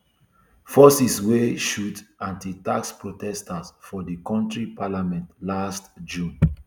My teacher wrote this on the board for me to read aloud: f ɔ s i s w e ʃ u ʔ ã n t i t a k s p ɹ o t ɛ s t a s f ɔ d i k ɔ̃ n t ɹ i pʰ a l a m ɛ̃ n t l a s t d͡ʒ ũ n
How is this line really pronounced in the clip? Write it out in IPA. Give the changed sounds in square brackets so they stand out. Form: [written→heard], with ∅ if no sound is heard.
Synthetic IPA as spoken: f ɔ s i s w e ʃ u [ʔ→t] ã n t i t a k s p ɹ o t ɛ s t a s f ɔ d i k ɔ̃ n t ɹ i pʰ a l a m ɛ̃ n t l a s t d͡ʒ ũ n